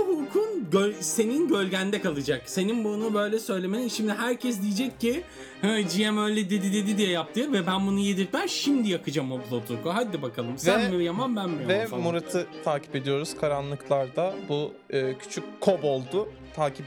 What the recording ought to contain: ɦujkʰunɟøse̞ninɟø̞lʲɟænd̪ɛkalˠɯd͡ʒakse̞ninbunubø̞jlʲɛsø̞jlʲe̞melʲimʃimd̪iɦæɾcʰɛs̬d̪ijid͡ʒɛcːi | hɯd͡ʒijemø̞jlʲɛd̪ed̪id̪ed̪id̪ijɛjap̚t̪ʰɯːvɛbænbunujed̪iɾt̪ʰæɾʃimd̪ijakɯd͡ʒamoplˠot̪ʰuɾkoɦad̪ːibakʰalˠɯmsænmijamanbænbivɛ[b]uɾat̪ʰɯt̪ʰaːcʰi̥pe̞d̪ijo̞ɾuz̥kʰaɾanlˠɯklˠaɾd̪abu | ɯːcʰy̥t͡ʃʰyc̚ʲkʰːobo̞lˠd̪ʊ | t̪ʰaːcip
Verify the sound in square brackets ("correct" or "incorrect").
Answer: incorrect